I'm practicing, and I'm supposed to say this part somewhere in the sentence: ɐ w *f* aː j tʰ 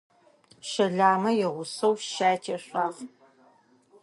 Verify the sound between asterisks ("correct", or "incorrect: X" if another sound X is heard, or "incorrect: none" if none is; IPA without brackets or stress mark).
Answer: incorrect: ʃ